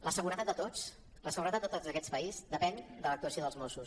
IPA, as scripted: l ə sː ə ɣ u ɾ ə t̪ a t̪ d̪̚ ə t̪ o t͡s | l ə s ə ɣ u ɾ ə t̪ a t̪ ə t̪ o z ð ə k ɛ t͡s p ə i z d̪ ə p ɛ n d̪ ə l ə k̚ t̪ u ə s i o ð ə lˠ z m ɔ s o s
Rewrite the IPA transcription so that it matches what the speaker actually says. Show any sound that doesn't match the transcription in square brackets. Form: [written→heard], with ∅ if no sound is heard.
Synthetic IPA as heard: l ə [sː→s] ə ɣ u ɾ ə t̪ a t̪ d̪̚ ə t̪ o t͡s | l ə s ə ɣ u ɾ ə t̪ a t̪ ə t̪ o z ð ə k ɛ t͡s p ə i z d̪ ə p ɛ n d̪ ə l ə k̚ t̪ u ə s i o ð ə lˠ z m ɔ s [o→u] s